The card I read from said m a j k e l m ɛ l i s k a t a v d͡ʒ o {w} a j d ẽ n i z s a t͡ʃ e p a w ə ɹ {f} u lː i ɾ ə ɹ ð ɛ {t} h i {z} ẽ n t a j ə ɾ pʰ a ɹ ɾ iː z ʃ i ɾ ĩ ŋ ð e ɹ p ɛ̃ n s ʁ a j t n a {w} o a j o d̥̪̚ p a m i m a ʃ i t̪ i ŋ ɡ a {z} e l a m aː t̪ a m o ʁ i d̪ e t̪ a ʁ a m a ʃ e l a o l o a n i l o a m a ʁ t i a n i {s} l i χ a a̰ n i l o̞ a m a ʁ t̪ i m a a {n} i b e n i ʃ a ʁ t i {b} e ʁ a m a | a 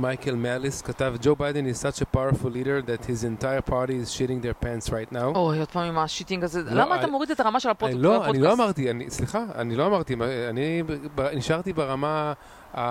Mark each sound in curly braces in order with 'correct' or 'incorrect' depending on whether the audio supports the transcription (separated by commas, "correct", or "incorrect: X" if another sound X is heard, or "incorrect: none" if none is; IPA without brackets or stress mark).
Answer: incorrect: b, correct, correct, correct, correct, correct, correct, correct, correct